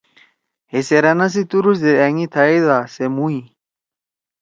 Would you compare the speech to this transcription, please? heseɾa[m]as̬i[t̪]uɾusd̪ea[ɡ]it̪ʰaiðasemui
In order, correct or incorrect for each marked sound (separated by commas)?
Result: incorrect, correct, incorrect